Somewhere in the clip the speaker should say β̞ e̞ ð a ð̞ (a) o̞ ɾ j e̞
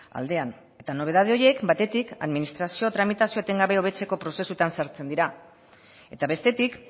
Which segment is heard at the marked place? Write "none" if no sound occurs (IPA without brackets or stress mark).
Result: e